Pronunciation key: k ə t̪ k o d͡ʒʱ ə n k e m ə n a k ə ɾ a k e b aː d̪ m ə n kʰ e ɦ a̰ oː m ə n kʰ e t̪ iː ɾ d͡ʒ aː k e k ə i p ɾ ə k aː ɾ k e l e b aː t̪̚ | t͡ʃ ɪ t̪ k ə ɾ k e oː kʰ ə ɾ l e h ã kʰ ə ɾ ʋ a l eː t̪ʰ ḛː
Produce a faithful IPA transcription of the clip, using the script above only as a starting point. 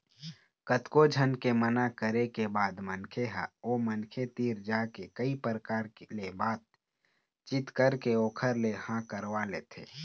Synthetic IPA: k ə t̪ k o d͡ʒʱ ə n k e m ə n a k ə ɾ e k e b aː d̪ m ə n kʰ e ɦ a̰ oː m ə n kʰ e t̪ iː ɾ d͡ʒ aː k e k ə i p ɾ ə k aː ɾ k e l e b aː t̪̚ | t͡ʃ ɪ t̪ k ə ɾ k e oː kʰ ə ɾ l e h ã k ə ɾ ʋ a l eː t̪ʰ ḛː